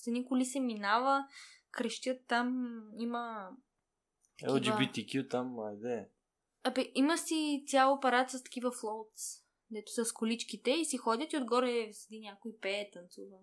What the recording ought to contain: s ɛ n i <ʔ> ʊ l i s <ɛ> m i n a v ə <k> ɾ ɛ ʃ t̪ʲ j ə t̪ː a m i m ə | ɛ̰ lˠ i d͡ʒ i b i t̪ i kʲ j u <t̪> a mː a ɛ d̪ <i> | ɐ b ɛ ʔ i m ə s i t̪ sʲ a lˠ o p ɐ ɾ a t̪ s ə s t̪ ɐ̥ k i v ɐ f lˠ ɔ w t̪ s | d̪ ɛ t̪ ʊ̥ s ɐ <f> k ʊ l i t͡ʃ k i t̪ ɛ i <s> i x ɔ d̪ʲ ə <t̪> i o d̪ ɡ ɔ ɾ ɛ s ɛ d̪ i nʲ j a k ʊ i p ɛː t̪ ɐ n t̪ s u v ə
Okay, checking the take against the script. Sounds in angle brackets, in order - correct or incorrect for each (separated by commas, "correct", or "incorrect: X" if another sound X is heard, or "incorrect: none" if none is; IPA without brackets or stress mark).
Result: incorrect: k, correct, correct, correct, incorrect: ɛ, incorrect: s, correct, correct